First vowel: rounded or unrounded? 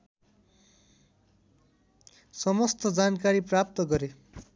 unrounded